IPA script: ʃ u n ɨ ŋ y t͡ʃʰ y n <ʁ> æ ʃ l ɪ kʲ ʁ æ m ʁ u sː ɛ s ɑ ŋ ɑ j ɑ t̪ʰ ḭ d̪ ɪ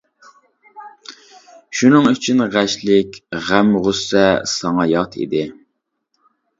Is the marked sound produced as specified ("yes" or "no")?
yes